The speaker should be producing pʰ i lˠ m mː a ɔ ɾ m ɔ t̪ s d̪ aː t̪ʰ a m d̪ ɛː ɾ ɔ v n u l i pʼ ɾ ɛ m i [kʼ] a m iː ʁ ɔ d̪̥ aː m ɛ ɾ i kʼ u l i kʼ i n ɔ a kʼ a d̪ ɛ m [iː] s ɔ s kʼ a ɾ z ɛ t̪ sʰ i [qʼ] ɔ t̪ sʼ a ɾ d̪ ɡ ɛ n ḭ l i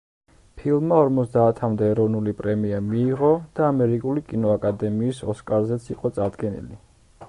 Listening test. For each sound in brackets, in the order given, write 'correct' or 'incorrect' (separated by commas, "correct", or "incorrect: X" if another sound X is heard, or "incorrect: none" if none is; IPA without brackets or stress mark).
incorrect: none, correct, correct